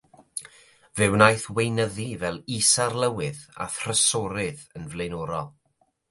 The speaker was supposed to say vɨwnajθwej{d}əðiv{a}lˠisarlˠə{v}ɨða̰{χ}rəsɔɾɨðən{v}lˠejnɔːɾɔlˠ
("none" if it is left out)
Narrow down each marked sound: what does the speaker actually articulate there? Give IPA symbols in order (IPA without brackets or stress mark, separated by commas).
n, ɛ, w, θ, v